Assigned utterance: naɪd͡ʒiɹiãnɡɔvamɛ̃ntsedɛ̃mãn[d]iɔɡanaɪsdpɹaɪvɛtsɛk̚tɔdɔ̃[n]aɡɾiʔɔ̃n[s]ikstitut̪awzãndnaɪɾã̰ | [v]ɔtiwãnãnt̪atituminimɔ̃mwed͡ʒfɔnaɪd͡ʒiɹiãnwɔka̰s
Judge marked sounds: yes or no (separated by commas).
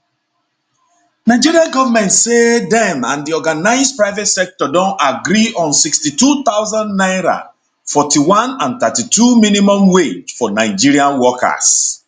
yes, yes, yes, no